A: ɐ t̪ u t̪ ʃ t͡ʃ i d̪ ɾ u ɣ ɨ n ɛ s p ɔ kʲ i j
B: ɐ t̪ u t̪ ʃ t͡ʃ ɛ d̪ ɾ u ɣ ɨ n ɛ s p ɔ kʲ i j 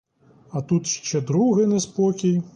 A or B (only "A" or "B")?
B